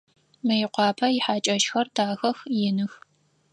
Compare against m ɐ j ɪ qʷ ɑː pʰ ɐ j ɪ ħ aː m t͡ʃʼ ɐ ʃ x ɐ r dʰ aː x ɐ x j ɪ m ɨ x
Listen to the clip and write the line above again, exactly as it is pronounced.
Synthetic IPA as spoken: m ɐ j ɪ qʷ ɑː pʰ ɐ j ɪ ħ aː t͡ʃʼ ɐ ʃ x ɐ r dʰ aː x ɐ x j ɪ n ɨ x